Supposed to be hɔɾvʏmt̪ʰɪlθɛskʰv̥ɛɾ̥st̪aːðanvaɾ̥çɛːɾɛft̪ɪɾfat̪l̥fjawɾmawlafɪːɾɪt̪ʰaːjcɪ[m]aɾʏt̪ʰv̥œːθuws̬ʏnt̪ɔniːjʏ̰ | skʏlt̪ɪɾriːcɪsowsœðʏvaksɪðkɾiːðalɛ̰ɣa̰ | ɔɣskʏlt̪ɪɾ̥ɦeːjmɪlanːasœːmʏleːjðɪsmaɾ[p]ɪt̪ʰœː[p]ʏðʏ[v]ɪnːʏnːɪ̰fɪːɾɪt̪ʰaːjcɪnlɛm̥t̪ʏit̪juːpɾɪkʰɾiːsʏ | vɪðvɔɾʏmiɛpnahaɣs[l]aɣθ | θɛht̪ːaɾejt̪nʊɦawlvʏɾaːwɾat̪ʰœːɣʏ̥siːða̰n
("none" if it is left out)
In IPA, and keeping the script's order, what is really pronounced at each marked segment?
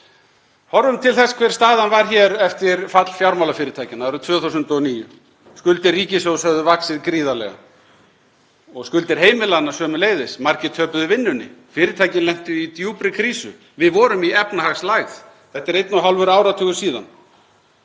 n, c, p, v, l

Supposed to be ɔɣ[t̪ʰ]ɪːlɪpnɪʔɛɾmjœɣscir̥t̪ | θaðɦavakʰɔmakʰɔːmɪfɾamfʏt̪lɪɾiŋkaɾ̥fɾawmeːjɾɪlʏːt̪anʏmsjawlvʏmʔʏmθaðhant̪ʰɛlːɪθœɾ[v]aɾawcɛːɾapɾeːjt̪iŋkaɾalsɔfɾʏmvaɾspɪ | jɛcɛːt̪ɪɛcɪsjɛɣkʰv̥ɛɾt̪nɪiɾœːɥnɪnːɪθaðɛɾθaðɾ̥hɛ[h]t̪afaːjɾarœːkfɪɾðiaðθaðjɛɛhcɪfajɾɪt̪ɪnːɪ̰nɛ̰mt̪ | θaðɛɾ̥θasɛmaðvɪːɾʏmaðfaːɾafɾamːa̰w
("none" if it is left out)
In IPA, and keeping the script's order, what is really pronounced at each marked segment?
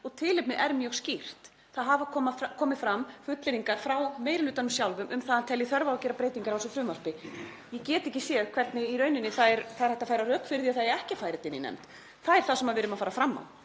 t̪ʰ, v, h

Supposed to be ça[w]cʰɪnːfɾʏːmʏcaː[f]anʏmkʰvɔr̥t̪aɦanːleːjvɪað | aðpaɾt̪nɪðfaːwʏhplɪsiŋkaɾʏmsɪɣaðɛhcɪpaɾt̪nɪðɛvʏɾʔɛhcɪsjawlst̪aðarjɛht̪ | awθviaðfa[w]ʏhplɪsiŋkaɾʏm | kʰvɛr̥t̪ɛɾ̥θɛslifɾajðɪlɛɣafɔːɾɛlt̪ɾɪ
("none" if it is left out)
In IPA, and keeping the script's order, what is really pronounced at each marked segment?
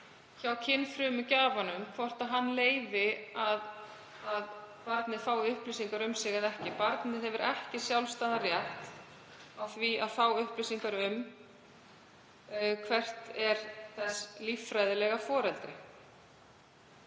w, v, w

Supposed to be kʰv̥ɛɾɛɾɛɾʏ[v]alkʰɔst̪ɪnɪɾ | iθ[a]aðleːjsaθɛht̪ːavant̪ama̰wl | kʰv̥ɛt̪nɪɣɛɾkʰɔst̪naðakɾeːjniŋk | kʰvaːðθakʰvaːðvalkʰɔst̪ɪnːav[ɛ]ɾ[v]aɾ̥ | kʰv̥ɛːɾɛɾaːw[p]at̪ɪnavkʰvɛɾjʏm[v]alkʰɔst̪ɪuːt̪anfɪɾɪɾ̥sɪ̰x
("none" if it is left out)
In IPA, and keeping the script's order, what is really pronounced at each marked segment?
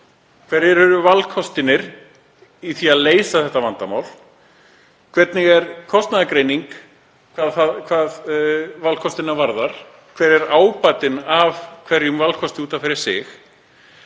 v, i, a, ð, p, v

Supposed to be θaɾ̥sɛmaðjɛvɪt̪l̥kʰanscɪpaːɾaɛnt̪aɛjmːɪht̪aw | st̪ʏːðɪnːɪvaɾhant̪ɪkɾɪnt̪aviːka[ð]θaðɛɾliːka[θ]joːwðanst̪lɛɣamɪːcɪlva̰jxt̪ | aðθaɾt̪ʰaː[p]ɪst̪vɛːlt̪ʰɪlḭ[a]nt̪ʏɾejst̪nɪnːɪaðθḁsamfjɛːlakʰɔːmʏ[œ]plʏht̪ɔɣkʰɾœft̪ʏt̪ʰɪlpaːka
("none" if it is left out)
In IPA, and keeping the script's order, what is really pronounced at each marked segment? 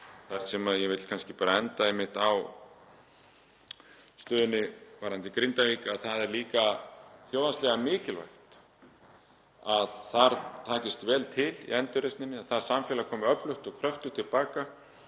ð, θ, c, ɛ, œ

